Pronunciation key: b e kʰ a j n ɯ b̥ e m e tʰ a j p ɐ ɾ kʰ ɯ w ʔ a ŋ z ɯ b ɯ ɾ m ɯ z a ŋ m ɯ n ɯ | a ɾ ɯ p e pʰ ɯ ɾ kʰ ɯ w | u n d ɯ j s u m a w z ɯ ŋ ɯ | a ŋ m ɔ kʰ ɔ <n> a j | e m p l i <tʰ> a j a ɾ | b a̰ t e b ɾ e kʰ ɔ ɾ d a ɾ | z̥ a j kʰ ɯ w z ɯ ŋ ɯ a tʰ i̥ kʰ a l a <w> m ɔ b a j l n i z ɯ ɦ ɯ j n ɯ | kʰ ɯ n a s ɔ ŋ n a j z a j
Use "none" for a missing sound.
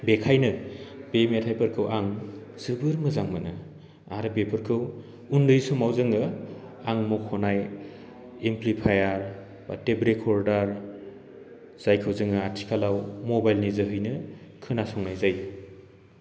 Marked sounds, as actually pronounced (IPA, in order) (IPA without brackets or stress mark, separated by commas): n, pʰ, w